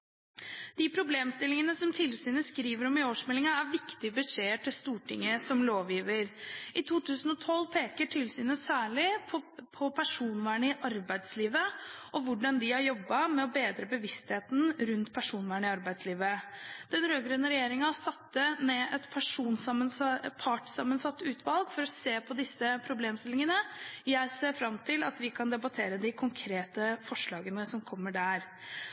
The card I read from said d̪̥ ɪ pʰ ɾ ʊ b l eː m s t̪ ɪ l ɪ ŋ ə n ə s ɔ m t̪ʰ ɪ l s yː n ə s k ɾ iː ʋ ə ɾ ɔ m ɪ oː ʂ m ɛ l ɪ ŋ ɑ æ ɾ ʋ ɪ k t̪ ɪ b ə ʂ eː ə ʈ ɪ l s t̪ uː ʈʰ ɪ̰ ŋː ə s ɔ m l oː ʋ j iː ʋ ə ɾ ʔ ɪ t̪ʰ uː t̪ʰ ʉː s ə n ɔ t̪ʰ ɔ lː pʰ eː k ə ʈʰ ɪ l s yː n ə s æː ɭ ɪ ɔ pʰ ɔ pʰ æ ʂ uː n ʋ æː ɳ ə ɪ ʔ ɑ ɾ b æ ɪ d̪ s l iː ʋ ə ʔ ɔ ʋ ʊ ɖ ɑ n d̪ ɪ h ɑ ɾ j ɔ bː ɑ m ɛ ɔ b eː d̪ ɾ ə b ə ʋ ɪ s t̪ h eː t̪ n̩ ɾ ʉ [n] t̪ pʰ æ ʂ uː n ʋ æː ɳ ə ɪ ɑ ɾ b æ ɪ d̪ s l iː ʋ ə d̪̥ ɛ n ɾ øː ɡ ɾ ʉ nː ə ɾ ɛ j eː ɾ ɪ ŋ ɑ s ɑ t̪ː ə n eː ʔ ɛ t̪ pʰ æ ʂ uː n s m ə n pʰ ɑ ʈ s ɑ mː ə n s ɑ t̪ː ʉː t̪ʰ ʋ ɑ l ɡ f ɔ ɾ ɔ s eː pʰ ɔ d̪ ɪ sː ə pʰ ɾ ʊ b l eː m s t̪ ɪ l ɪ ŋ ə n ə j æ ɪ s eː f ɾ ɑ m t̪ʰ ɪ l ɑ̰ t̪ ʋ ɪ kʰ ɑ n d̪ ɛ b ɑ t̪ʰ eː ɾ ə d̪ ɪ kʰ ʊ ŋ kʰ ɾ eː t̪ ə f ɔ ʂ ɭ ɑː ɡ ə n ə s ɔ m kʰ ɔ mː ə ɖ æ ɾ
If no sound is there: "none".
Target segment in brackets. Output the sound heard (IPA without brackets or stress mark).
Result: n